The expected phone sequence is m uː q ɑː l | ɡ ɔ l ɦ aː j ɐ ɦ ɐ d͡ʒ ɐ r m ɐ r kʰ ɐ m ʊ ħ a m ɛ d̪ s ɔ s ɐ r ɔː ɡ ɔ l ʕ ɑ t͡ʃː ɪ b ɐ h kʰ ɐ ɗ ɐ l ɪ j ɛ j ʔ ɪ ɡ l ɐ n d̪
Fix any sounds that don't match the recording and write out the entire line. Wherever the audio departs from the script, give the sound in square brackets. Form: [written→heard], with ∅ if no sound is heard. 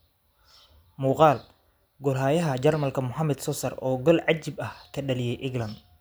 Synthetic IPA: m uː q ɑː l | ɡ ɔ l ɦ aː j ɐ ɦ ɐ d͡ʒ ɐ r m ɐ [r→l] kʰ ɐ m ʊ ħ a m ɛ d̪ s ɔ s ɐ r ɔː ɡ ɔ l ʕ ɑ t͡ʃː ɪ b ɐ h kʰ ɐ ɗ ɐ l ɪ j ɛ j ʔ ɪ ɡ l ɐ n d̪